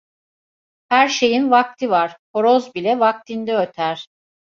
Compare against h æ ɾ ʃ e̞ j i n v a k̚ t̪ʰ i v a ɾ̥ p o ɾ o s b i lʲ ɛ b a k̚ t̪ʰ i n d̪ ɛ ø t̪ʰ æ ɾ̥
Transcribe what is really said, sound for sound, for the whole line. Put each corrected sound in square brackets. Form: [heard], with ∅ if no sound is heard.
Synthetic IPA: h æ ɾ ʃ e̞ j i n v a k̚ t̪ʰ i v a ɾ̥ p o ɾ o [z] b i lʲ ɛ [v] a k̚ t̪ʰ i n d̪ ɛ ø t̪ʰ æ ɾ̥

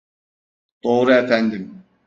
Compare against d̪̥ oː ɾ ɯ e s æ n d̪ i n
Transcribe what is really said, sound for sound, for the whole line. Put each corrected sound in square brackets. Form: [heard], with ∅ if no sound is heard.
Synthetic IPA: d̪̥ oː ɾ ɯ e [f] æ n d̪ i [m]

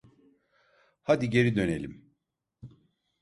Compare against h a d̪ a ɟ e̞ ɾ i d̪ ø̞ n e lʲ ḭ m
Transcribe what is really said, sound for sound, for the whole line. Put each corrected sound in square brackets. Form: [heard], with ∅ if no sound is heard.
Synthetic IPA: h a d̪ [i] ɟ e̞ ɾ i d̪ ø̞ n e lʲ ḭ m

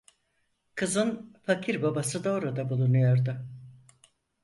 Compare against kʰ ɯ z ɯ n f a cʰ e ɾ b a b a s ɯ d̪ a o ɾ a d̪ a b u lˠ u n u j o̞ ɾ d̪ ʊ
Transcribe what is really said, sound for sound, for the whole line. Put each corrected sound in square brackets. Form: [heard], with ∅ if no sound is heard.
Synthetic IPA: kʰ ɯ z ɯ n f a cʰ [i] ɾ b a b a s ɯ d̪ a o ɾ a d̪ a b u lˠ u n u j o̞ ɾ d̪ ʊ

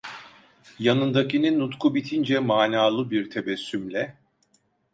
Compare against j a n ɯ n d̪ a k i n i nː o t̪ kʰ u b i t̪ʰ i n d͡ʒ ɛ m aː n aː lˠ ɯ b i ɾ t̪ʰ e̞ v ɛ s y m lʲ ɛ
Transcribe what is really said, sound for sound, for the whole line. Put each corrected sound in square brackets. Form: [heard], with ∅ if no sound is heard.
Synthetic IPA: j a n ɯ n d̪ a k i n i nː [u] t̪ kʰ u b i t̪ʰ i n d͡ʒ ɛ m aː n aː lˠ ɯ b i ɾ t̪ʰ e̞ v ɛ [sː] y m lʲ ɛ

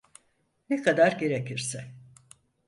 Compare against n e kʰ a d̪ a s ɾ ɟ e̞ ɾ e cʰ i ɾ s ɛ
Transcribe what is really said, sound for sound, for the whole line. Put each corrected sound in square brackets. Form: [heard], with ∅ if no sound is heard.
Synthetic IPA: n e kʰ a d̪ a [∅] ɾ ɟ e̞ ɾ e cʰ i ɾ s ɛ

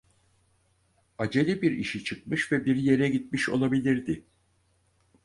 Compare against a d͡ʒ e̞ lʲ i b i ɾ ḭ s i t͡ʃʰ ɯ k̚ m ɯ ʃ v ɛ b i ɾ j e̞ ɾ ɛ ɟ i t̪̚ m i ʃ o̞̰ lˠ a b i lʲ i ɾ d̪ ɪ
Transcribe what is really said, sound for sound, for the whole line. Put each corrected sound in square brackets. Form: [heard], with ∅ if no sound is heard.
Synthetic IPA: a d͡ʒ e̞ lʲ i b i ɾ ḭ [ʃ] i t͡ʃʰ ɯ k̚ m ɯ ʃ v ɛ b i ɾ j e̞ ɾ ɛ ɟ i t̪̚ m i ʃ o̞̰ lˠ a b i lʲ i ɾ d̪ ɪ

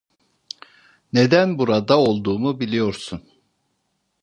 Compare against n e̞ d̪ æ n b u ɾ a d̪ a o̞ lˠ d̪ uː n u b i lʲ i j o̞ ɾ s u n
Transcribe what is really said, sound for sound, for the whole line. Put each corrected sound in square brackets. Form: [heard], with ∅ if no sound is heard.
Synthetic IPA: n e̞ d̪ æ n b u ɾ a d̪ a o̞ lˠ d̪ uː [m] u b i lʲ i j o̞ ɾ s u n

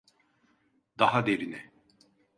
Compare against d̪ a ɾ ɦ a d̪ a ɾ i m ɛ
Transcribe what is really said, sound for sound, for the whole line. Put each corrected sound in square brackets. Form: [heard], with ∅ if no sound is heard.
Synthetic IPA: d̪ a [∅] ɦ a d̪ [e] ɾ i [n] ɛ

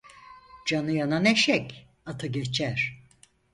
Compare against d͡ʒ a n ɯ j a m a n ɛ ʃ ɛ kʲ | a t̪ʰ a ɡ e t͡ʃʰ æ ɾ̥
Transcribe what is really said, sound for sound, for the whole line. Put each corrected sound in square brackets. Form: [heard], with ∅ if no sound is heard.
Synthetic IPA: d͡ʒ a n ɯ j a [n] a n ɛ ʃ ɛ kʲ | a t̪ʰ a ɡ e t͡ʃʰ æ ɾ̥

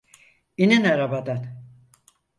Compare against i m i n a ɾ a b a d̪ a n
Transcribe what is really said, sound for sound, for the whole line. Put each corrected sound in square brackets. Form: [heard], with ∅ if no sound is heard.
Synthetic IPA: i [n] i n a ɾ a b a d̪ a n

